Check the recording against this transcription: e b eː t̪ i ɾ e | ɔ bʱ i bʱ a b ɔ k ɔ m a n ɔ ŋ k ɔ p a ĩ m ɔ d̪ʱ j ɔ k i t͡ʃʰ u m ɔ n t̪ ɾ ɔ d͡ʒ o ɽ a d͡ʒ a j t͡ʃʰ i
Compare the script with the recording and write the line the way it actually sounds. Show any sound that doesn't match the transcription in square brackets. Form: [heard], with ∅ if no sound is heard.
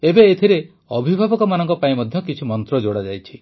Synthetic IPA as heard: e b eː [t̪ʰ] i ɾ e | ɔ bʱ i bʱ a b ɔ k ɔ m a n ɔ ŋ k ɔ p a ĩ m ɔ d̪ʱ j ɔ k i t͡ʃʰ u m ɔ n t̪ ɾ ɔ d͡ʒ o ɽ a d͡ʒ a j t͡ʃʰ i